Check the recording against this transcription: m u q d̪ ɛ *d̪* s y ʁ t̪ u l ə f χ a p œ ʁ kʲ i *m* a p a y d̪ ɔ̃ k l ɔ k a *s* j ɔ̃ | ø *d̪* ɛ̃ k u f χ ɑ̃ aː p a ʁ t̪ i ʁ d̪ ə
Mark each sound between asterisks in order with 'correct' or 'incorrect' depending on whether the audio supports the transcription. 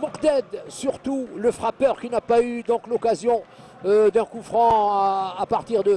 correct, incorrect: n, incorrect: z, correct

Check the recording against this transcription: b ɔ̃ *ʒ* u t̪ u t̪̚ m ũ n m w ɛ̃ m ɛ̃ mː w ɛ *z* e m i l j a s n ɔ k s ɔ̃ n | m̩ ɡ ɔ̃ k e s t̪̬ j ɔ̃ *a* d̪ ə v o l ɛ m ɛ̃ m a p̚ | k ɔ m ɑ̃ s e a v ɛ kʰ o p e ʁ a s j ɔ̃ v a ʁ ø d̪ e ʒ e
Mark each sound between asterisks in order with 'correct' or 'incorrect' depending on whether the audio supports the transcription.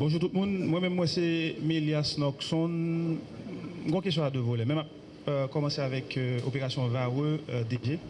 correct, incorrect: s, correct

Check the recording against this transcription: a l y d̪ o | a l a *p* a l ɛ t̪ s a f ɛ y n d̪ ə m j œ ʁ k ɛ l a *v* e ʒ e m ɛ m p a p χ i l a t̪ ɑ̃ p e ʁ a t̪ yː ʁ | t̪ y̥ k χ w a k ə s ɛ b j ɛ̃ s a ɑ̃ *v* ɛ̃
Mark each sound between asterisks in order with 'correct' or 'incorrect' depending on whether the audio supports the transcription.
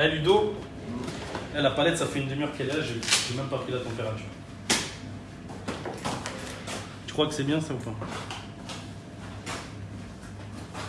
correct, incorrect: ʒ, incorrect: f

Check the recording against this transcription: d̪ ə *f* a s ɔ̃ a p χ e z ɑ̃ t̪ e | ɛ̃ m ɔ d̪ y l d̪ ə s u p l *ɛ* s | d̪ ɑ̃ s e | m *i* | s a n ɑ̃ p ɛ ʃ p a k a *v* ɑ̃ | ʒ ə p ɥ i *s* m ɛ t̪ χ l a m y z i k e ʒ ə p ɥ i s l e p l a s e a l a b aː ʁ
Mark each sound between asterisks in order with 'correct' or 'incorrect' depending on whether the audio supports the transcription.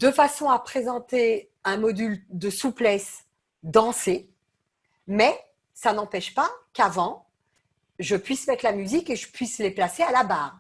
correct, correct, incorrect: ɛ, correct, correct

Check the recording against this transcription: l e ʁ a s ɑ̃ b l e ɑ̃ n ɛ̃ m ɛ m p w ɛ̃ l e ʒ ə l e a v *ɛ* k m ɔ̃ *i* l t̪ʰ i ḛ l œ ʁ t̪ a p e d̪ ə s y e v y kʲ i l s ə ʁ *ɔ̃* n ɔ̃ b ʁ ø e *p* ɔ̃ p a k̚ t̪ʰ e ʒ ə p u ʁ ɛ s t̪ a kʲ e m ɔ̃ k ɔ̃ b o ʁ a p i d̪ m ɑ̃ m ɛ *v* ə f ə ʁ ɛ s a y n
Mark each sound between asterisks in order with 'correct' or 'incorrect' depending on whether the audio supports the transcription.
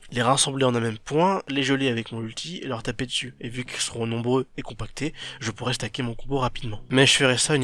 correct, incorrect: y, correct, incorrect: k, incorrect: ʒ

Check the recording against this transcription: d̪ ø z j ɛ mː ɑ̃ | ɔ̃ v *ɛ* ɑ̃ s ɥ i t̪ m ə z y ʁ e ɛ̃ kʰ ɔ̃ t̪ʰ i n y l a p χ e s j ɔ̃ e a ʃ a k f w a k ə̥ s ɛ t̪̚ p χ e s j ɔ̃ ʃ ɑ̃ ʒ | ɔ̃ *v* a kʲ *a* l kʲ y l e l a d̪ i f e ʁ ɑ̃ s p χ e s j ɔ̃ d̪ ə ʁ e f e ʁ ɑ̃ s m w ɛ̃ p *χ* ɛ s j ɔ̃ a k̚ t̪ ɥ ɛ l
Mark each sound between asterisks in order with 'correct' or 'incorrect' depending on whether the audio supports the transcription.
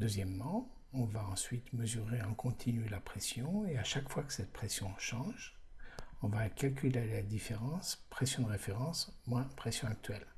incorrect: a, correct, correct, correct

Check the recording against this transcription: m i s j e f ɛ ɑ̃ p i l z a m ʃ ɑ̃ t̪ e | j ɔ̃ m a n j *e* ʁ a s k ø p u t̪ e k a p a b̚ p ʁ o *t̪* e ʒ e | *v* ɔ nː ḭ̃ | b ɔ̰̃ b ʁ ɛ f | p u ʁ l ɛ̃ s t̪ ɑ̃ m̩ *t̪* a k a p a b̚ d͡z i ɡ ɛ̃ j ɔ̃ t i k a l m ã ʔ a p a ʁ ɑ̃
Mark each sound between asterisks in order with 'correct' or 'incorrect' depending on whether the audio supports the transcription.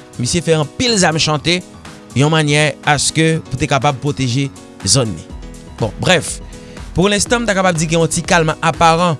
incorrect: ɛ, correct, incorrect: z, correct

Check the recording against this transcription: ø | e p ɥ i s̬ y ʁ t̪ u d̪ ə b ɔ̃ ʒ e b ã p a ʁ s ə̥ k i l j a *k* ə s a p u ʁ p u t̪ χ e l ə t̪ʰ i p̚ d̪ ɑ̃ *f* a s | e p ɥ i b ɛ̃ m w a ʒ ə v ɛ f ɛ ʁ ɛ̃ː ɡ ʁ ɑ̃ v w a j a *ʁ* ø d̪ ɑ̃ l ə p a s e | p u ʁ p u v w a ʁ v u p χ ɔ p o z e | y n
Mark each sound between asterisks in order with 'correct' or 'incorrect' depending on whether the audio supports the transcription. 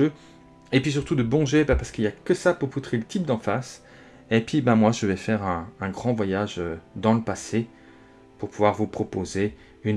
correct, correct, incorrect: ʒ

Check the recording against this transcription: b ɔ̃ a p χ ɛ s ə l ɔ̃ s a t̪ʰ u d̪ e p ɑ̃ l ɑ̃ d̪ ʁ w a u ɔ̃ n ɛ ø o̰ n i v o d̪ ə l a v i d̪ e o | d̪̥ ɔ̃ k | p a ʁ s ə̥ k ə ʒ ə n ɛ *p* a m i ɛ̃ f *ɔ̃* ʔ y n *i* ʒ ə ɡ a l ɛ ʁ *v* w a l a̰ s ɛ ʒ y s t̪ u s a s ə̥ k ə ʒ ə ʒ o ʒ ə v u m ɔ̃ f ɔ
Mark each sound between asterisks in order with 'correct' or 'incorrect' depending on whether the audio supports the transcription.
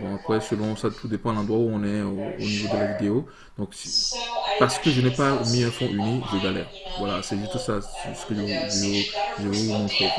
correct, correct, correct, correct

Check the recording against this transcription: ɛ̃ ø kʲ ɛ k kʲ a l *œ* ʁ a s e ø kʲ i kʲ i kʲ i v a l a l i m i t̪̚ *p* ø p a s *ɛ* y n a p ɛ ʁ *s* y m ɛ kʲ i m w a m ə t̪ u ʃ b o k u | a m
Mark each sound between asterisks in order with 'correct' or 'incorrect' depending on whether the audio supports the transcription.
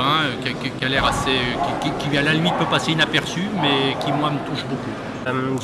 incorrect: ɛ, correct, incorrect: e, correct

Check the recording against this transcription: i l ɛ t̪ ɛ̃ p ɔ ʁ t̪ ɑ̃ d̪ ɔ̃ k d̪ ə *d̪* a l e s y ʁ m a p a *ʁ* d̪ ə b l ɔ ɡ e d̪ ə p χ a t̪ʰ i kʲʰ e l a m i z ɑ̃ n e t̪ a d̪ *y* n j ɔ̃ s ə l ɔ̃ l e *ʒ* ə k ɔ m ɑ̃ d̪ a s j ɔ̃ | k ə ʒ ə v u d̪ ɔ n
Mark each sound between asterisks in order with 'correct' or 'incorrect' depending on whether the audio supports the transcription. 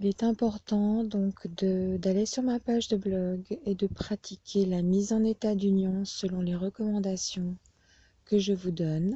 correct, incorrect: ʒ, correct, incorrect: ʁ

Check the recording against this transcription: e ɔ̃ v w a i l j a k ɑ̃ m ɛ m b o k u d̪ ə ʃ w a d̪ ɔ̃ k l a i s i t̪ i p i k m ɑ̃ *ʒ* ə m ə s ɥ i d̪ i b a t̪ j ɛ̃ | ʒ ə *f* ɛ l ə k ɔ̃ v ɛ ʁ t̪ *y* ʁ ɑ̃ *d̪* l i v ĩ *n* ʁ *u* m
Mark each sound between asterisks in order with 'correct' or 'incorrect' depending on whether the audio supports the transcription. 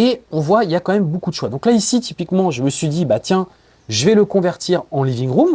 correct, incorrect: v, incorrect: i, incorrect: none, incorrect: ŋ, correct

